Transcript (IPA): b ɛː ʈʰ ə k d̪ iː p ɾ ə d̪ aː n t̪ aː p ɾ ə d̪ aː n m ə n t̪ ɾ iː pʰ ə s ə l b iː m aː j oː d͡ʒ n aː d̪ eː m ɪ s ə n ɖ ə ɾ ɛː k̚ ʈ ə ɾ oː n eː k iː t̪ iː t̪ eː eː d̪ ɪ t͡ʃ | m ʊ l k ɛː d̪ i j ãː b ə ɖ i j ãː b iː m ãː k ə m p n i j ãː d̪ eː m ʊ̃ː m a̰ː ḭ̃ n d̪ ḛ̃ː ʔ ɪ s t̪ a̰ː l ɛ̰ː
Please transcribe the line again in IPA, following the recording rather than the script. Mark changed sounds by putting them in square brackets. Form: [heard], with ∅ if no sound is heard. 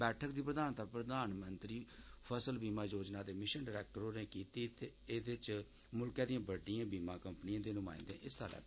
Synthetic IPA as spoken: b ɛː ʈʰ ə k d̪ iː p ɾ ə d̪ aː n t̪ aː p ɾ ə d̪ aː n m ə n t̪ ɾ iː pʰ ə s ə l b iː m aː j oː d͡ʒ n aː d̪ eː m ɪ [ʃ] ə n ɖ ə ɾ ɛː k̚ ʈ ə ɾ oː n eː k iː t̪ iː t̪ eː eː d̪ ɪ t͡ʃ | m ʊ l k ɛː d̪ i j ãː b ə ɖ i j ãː b iː m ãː k ə m p n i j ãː d̪ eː [n] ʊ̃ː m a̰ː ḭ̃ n d̪ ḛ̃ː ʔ ɪ s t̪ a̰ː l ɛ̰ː